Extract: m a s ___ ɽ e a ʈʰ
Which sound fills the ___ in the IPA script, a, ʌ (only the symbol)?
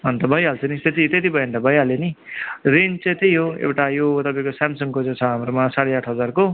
a